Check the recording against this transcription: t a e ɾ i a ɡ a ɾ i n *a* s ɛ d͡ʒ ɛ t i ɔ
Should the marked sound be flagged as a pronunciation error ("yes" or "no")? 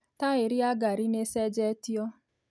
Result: yes